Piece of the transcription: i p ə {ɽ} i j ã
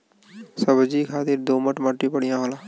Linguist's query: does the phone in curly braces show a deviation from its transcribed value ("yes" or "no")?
no